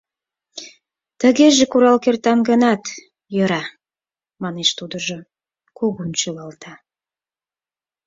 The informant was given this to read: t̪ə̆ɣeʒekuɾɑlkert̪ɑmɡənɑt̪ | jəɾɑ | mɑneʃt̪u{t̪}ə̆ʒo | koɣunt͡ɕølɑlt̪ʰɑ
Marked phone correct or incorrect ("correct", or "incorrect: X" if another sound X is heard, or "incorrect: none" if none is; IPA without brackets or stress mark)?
incorrect: d̪